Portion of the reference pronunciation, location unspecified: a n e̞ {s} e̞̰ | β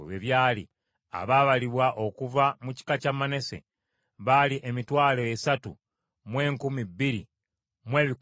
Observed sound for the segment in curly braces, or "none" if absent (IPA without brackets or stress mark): s